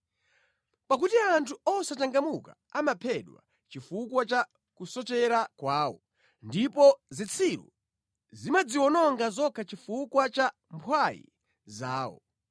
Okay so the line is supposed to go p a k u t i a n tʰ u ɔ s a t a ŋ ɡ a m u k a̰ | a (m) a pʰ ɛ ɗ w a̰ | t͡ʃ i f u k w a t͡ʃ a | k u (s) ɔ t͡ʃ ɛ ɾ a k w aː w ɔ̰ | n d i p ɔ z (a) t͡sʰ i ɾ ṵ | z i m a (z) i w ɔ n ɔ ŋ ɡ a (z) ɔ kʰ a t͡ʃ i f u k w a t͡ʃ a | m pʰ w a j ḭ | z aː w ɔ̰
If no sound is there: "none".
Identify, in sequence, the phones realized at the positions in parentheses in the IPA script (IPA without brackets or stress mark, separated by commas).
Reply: m, s, i, d͡z, z